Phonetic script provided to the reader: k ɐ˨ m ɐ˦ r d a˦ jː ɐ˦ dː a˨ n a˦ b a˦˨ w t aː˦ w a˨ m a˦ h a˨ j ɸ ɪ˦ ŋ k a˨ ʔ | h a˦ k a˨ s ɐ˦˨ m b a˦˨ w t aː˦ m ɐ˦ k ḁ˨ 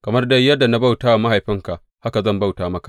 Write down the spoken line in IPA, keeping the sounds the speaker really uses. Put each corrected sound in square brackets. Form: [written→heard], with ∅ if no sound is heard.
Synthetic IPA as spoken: k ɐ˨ m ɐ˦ r d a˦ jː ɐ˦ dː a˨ n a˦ b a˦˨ w t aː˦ w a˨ m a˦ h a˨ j ɸ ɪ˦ ŋ k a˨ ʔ | h a˦ k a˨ [s→z] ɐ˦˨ m b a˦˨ w t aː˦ m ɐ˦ k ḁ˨